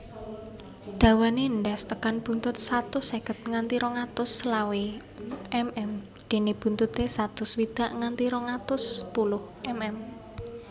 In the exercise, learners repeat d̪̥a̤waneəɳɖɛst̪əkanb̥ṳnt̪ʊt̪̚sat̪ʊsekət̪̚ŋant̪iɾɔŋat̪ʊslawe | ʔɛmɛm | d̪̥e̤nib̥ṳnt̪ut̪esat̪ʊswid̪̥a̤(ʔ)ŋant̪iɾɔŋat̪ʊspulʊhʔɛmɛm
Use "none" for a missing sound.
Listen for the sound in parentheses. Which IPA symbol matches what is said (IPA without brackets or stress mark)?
ʔ